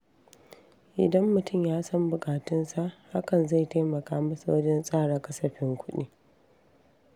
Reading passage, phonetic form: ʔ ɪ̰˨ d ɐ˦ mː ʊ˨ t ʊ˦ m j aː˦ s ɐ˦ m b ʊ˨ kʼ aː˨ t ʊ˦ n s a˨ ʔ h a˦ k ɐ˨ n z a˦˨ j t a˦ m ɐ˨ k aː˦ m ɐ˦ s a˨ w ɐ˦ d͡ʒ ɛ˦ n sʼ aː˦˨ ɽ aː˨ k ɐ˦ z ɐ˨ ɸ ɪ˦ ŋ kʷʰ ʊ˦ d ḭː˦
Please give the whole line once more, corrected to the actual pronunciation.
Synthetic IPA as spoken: ʔ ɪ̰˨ d ɐ˦ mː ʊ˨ t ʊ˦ m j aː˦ s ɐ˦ m b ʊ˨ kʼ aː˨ t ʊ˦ n s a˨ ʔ h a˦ k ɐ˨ n z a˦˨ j t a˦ m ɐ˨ k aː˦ m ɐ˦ s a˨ w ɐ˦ d͡ʒ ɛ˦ n sʼ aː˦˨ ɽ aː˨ k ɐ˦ s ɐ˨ ɸ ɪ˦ ŋ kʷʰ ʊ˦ ɗ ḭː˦